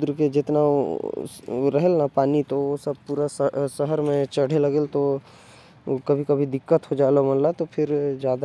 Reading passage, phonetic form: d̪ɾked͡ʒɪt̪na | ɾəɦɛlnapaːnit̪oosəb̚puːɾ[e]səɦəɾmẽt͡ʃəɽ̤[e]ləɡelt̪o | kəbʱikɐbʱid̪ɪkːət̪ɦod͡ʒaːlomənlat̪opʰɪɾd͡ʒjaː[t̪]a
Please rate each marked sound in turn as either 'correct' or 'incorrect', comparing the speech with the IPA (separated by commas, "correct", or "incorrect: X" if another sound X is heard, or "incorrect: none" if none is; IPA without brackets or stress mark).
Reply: incorrect: a, correct, incorrect: d̪